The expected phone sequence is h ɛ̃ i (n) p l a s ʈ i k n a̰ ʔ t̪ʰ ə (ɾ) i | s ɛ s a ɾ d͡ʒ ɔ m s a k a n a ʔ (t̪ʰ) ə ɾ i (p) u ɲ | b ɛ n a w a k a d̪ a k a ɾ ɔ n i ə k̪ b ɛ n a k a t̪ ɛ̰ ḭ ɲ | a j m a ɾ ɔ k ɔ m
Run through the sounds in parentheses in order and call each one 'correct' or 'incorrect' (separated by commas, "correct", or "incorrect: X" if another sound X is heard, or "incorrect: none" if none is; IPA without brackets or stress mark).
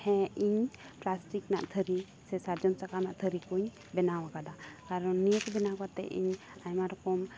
incorrect: ɲ, correct, correct, incorrect: k